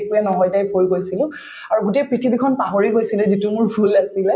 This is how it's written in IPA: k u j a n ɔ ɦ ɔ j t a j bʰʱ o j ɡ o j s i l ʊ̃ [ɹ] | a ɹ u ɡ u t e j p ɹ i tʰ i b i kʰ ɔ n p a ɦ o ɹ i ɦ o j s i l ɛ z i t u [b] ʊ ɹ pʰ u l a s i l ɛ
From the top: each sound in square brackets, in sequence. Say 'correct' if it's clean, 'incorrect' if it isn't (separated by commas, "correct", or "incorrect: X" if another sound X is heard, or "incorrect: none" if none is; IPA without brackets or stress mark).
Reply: incorrect: none, incorrect: m